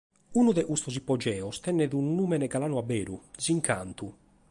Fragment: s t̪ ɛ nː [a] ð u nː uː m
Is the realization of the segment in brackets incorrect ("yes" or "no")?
yes